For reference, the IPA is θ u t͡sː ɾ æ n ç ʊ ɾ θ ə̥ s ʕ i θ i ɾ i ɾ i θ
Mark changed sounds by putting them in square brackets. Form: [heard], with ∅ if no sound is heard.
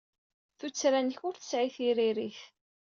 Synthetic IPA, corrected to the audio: θ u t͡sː ɾ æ n ç ʊ ɾ θ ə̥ s ʕ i θ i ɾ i ɾ i θ